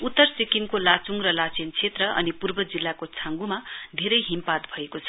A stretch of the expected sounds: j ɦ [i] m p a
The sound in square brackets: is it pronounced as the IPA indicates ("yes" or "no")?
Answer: yes